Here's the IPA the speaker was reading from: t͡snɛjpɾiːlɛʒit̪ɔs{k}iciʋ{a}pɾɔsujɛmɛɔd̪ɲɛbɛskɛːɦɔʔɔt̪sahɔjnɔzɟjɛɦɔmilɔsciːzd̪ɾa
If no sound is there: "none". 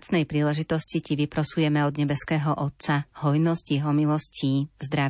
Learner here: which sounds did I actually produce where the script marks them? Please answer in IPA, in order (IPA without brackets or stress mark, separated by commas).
c, i